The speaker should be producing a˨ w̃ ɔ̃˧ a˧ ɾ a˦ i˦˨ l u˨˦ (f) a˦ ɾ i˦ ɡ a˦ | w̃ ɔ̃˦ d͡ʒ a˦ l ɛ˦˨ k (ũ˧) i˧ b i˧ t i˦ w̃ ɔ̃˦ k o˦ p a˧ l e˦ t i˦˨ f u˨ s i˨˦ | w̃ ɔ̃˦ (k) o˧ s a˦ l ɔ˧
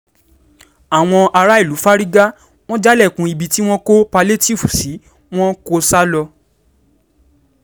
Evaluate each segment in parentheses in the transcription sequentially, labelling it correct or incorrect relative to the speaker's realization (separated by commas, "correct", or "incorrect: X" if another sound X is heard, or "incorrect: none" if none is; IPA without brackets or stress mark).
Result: correct, correct, correct